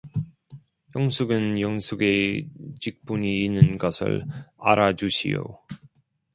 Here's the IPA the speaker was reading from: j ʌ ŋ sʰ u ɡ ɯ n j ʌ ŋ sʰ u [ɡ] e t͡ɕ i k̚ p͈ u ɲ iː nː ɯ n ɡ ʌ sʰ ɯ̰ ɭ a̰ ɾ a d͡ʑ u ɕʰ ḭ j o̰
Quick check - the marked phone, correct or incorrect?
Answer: correct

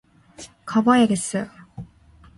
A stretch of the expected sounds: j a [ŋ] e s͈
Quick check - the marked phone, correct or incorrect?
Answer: incorrect: ɡ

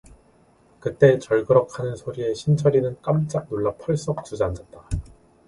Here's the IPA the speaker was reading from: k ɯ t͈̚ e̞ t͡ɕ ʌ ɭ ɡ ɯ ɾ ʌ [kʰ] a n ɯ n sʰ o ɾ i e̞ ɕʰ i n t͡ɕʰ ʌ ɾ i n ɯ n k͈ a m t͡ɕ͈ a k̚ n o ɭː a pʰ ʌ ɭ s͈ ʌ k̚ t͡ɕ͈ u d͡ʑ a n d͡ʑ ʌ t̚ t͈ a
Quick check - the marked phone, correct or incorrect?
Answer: correct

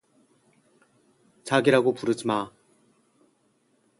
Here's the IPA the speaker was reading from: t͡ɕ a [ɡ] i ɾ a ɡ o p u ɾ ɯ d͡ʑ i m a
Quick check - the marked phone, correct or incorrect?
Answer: correct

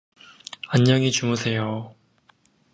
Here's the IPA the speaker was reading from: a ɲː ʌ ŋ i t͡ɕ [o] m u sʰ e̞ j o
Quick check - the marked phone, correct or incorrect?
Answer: incorrect: u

